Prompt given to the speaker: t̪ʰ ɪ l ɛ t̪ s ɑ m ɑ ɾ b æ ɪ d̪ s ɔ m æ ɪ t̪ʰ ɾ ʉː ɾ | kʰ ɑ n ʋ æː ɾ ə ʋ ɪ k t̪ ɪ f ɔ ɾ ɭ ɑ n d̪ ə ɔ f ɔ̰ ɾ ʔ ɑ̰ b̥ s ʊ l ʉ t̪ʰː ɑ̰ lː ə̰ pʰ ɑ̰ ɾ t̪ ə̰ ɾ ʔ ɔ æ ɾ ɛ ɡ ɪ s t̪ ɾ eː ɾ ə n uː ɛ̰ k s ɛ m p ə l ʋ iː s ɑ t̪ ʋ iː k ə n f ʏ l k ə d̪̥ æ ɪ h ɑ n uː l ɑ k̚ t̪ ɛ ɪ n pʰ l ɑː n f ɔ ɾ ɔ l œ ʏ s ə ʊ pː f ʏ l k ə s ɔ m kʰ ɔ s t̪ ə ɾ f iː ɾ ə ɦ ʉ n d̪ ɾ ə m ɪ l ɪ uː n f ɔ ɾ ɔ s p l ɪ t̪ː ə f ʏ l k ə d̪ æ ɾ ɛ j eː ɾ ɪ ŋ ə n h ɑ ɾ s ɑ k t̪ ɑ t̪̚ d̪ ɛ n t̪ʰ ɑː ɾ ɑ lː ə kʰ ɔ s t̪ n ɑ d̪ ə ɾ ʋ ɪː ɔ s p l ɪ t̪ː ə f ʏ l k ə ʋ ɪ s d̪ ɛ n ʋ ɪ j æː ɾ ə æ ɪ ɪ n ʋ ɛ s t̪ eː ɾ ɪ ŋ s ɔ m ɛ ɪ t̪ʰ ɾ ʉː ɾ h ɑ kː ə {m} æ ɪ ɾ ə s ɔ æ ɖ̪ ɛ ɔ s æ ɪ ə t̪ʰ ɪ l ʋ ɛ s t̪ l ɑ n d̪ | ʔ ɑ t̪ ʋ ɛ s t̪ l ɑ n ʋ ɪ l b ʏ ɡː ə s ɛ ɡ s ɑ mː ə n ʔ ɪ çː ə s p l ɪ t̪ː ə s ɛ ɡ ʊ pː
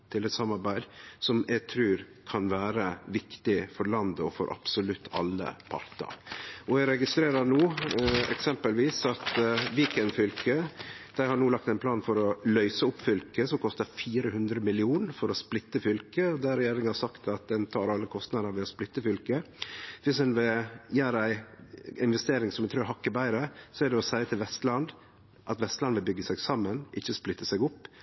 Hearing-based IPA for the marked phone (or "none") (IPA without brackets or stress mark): b